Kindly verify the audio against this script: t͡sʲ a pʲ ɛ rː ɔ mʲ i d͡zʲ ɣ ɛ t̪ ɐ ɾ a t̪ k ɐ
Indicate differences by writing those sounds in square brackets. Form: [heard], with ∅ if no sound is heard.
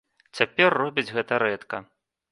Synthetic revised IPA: t͡sʲ a pʲ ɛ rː ɔ [bʲ] i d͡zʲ ɣ ɛ t̪ ɐ ɾ [ɛ] t̪ k ɐ